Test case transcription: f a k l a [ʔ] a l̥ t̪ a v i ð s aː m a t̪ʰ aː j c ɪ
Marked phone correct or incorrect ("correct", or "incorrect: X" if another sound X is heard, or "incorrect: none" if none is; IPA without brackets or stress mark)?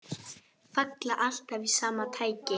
correct